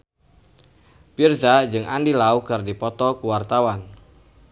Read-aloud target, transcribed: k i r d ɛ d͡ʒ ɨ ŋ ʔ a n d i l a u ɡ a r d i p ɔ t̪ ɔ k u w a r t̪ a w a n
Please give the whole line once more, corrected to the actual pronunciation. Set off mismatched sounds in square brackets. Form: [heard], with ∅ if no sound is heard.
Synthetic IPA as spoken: [p] i r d [a] d͡ʒ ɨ ŋ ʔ a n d i l a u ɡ a r d i p ɔ t̪ ɔ k u w a r t̪ a w a n